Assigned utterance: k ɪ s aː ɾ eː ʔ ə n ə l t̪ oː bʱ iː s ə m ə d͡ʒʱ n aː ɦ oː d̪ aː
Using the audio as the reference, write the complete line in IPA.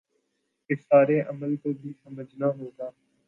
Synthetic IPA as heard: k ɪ s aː ɾ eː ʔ ə m ə l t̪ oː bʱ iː s ə m ə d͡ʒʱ n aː ɦ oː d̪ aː